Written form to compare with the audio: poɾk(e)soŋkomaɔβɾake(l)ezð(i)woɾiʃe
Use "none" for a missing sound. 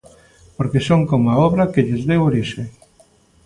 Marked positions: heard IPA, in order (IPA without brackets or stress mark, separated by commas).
e, ʎ, e